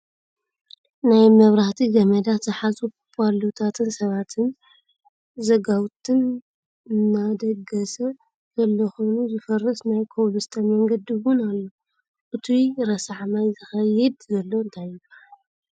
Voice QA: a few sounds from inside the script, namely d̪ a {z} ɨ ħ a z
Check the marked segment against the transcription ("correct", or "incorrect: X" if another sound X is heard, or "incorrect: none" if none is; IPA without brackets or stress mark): correct